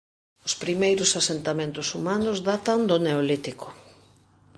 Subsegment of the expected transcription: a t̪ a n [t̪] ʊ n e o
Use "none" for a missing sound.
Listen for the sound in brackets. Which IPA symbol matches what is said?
d̪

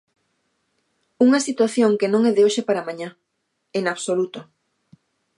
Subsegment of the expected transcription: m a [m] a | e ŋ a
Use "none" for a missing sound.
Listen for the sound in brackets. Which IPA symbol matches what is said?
ɲ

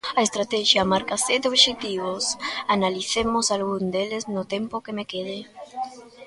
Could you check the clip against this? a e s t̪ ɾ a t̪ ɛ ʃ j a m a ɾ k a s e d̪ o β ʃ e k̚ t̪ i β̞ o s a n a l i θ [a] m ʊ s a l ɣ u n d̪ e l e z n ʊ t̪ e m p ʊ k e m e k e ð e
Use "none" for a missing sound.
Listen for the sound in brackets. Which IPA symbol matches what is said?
e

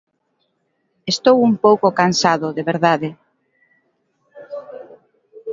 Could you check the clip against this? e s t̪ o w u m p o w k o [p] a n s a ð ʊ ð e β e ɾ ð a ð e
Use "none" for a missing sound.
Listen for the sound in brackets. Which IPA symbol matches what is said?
k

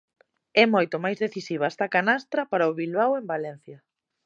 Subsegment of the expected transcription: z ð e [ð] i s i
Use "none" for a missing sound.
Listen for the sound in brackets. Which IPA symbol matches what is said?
θ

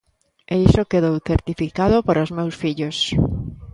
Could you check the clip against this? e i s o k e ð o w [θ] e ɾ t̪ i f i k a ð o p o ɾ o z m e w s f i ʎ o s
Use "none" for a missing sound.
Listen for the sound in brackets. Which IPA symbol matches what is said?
θ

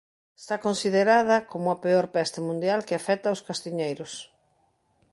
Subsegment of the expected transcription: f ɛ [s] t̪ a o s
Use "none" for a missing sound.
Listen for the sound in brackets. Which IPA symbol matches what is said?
none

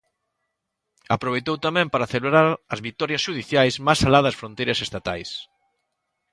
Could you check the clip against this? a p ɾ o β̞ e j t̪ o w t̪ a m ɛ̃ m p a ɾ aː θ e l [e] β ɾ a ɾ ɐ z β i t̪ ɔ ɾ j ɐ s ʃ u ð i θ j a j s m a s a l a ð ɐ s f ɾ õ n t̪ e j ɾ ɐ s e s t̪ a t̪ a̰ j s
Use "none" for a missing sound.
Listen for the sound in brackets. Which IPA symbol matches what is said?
e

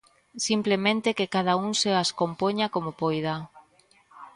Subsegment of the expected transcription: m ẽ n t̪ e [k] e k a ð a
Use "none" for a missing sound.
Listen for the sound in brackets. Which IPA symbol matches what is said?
k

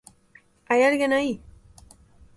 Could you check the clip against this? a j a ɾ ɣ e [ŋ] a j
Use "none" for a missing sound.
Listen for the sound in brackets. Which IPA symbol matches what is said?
n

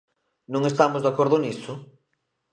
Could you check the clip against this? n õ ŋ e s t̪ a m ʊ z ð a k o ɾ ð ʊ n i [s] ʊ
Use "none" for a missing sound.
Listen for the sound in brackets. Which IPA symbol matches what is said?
s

